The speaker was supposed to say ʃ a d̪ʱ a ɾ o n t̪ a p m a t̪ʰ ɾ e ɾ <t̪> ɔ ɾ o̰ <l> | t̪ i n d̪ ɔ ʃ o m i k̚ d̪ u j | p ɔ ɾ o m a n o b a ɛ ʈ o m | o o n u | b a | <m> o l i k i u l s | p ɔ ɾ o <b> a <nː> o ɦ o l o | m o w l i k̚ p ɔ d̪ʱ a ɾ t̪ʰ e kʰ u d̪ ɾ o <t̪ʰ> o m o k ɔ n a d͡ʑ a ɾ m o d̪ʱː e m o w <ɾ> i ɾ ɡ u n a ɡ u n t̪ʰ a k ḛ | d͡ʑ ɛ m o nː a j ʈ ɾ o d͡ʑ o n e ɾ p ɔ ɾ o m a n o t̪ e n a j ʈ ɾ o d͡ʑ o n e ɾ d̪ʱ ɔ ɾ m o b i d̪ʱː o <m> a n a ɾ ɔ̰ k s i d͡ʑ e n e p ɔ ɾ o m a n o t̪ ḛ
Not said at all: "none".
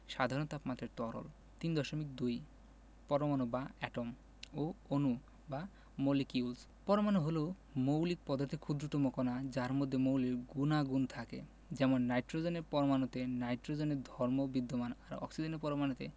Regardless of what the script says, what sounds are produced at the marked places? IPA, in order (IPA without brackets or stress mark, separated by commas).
t̪, l, m, m, n, t̪, l, m